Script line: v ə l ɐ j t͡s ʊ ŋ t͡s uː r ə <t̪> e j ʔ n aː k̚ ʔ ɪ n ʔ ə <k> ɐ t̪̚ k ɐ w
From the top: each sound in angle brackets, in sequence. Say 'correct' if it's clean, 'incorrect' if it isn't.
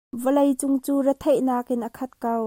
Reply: incorrect: t̪ʰ, incorrect: kʰ

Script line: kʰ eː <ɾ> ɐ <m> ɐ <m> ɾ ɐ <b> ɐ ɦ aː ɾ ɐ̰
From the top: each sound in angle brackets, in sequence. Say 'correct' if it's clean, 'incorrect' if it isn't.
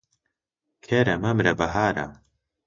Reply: correct, correct, correct, correct

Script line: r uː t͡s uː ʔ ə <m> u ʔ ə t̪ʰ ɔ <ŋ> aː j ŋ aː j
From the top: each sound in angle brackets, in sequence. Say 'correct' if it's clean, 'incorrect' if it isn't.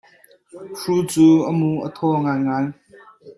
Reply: correct, correct

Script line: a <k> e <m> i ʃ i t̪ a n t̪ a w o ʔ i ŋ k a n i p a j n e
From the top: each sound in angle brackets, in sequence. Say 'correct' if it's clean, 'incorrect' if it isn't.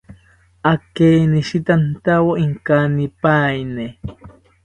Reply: correct, incorrect: n

